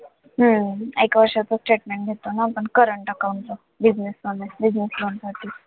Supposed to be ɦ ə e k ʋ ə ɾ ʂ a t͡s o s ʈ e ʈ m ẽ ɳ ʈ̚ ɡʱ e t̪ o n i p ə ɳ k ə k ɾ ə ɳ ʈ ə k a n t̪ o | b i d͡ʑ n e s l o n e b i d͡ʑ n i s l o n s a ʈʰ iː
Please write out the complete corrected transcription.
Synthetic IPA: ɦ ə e k ʋ ə ɾ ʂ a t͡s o s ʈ e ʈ m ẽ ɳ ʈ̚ ɡʱ e t̪ o n a p ə ɳ k ə ɾ ə ɳ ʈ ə k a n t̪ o | b i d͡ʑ n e s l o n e b i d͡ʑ n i s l o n s a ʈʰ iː

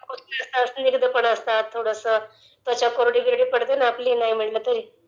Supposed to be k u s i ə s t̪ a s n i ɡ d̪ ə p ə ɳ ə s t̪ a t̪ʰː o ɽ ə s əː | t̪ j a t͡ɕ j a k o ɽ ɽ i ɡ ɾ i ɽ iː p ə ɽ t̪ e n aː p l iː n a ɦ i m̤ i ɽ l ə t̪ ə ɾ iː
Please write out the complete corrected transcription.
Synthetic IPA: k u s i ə s t̪ a s n i ɡ d̪ ə p ə ɳ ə s t̪ a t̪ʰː o ɽ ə s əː | t̪ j a t͡ɕ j a k o ɾ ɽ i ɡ ɾ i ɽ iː p ə ɽ t̪ e n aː p l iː n a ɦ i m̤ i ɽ l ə t̪ ə ɾ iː

